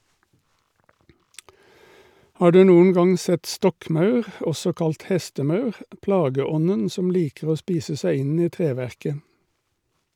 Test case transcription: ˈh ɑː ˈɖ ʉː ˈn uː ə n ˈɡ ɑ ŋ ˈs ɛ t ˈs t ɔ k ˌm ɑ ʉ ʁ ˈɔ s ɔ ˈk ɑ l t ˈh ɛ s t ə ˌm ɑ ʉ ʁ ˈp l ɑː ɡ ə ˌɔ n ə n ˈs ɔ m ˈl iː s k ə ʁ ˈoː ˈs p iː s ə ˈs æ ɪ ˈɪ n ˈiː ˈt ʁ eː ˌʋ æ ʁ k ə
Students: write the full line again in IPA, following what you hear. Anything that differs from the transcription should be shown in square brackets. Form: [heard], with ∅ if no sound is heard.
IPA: ˈh ɑː ˈɖ ʉː ˈn uː ə n ˈɡ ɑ ŋ ˈs ɛ t ˈs t ɔ k ˌm ɑ ʉ ʁ ˈɔ s ɔ ˈk ɑ l t ˈh ɛ s t ə ˌm ɑ ʉ ʁ ˈp l ɑː ɡ ə ˌɔ n ə n ˈs ɔ m ˈl iː [∅] k ə ʁ ˈoː ˈs p iː s ə ˈs æ ɪ ˈɪ n ˈiː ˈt ʁ eː ˌʋ æ ʁ k ə